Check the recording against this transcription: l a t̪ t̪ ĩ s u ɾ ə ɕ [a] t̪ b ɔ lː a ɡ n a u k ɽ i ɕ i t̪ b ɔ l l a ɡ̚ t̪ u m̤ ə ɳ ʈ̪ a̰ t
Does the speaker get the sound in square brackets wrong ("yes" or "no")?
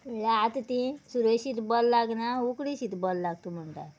yes